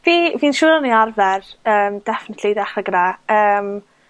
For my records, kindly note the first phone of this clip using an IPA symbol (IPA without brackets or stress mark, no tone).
v